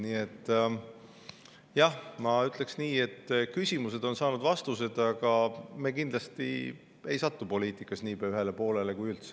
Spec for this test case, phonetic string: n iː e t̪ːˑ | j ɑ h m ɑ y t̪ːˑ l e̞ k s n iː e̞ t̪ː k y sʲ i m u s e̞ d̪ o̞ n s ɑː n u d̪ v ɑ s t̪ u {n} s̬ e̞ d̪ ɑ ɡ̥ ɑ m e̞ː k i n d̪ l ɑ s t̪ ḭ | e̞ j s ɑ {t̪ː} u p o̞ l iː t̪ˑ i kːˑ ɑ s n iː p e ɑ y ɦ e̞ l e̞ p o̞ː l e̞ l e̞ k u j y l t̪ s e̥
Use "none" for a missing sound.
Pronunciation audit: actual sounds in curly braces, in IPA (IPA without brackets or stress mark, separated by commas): none, t̪ː